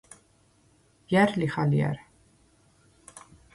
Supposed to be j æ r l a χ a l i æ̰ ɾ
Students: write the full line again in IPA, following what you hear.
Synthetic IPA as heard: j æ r l i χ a l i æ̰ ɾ